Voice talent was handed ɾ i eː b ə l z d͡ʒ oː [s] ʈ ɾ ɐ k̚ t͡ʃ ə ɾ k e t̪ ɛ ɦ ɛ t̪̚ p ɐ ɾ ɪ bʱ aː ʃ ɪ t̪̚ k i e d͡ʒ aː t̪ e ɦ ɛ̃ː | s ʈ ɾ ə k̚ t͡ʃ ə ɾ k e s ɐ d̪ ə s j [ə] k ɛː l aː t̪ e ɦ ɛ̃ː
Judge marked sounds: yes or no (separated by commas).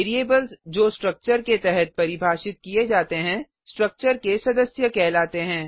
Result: yes, yes